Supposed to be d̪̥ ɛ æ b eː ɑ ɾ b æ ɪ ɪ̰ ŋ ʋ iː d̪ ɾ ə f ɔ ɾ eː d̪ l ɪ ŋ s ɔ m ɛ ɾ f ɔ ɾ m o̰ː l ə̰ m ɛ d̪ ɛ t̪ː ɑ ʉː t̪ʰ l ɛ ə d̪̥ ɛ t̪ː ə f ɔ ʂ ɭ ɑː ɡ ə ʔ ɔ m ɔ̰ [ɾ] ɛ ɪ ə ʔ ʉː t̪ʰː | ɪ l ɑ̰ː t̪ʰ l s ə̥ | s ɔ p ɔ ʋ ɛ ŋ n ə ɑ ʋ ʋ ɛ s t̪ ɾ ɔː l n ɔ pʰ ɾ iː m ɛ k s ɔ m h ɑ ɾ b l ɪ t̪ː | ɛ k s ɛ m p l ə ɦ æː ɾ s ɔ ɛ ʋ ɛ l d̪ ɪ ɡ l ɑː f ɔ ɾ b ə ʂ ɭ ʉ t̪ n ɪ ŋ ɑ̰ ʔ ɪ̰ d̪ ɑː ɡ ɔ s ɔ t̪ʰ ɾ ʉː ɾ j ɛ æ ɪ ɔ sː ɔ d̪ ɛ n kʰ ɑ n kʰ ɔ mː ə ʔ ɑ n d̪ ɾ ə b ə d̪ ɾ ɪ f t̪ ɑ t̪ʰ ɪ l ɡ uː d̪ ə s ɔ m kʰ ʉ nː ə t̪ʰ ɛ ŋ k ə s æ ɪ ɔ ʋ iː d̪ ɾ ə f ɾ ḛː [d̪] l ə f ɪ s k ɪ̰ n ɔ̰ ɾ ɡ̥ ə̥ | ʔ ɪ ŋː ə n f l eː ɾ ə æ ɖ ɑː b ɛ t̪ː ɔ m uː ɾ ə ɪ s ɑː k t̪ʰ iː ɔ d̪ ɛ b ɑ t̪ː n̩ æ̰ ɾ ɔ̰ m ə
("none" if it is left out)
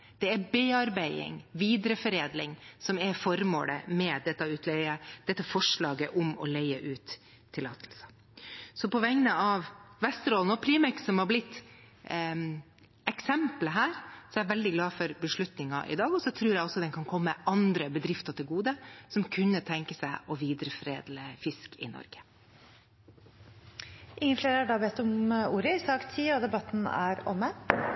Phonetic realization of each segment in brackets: l, d̪

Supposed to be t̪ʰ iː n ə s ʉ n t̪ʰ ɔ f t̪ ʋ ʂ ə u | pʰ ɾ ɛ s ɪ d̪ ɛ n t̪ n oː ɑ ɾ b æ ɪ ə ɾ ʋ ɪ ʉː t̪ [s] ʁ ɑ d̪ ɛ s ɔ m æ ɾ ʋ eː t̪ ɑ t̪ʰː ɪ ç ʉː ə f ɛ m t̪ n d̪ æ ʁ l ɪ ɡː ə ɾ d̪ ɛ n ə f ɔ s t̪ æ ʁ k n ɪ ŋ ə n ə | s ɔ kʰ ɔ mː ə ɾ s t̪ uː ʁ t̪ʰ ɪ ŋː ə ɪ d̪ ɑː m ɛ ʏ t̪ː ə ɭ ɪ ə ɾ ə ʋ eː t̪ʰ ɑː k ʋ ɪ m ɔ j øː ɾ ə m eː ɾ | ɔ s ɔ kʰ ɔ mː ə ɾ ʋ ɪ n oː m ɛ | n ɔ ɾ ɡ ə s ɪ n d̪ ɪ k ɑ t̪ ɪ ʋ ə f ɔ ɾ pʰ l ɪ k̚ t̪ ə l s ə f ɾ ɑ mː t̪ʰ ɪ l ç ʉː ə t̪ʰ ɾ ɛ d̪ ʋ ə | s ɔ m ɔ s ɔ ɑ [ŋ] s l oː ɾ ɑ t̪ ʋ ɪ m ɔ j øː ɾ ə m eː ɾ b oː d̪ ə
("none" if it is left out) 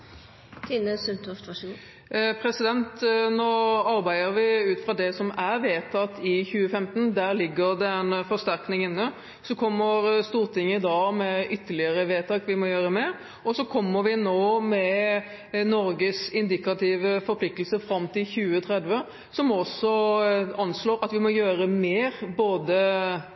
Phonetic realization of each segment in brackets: f, n

